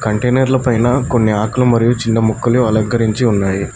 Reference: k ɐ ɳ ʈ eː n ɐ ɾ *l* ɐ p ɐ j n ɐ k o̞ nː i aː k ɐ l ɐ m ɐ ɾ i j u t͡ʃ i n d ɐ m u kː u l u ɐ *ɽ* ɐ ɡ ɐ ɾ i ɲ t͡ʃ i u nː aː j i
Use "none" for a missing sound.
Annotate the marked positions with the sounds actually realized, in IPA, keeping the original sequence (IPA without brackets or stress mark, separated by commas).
l, l